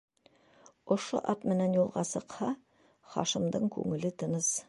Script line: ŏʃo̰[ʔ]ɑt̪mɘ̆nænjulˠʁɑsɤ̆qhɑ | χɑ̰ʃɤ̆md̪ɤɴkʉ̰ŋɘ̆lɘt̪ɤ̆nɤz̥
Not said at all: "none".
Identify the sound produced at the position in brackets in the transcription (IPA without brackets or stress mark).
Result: ʔ